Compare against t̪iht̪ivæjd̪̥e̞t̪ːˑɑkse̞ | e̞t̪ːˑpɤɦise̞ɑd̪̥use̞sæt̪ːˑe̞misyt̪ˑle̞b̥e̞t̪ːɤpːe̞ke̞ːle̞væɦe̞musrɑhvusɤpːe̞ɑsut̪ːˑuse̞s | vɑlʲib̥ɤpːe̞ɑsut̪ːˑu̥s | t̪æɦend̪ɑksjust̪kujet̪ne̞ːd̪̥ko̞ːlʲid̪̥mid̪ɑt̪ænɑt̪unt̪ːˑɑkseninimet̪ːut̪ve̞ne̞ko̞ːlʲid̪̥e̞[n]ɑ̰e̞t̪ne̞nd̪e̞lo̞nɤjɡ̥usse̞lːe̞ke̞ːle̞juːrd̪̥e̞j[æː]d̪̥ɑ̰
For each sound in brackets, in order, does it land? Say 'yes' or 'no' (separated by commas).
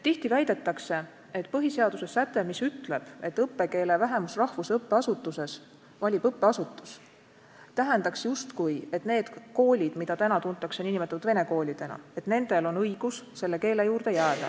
yes, yes